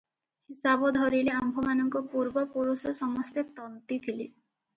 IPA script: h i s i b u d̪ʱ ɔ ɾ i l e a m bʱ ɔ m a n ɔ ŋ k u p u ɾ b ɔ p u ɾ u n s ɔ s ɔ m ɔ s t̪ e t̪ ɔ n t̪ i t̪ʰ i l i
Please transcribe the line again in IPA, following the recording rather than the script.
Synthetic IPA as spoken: h i s a b ɔ d̪ʱ ɔ ɾ i l e a m bʱ ɔ m a n ɔ ŋ k ɔ p u ɾ b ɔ p u ɾ u s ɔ s ɔ m ɔ s t̪ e t̪ ɔ n t̪ i t̪ʰ i l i